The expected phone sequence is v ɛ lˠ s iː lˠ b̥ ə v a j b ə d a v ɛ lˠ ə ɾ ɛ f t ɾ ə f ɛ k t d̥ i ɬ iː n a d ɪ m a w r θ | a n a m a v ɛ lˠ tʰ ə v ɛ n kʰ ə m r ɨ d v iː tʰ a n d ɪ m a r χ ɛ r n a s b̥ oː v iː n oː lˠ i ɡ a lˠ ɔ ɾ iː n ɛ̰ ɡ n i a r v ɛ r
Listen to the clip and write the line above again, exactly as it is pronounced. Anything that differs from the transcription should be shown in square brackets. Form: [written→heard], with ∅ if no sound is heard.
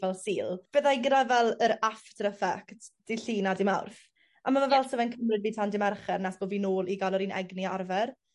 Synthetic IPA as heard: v ɛ lˠ s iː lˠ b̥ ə [v→ð] a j [b→ɡ] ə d a v ɛ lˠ ə ɾ [ɛ→a] f t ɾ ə f ɛ k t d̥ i ɬ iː n a d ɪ m a w r θ | a [n→m] a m a v ɛ lˠ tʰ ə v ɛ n kʰ ə m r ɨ d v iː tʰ a n d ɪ m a r χ ɛ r n a s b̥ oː v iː n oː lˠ i ɡ a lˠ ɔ ɾ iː n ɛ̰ ɡ n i a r v ɛ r